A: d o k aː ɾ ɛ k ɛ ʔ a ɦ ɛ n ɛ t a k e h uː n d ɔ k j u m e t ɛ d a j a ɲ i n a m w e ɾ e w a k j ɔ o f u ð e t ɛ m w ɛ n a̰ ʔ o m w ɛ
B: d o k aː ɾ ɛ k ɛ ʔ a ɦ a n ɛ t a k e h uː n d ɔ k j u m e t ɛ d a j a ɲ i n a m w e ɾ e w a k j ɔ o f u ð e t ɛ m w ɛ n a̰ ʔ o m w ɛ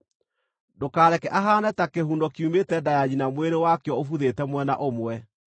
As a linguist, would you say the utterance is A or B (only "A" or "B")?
B